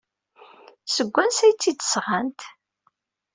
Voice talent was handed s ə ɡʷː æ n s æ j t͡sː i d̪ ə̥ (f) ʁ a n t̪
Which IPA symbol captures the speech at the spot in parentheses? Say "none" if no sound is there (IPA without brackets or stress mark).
s